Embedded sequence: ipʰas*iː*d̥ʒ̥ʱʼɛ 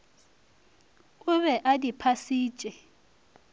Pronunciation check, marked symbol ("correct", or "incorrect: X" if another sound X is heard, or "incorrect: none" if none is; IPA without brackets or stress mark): correct